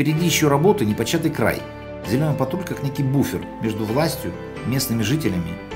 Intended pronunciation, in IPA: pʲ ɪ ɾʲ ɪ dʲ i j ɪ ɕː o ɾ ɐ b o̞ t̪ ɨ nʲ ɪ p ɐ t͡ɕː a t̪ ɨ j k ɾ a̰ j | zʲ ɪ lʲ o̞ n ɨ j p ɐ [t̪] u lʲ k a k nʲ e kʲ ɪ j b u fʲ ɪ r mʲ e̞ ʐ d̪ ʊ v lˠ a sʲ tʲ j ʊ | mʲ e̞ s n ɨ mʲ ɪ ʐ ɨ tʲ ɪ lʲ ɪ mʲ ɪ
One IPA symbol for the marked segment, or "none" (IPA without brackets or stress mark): t̪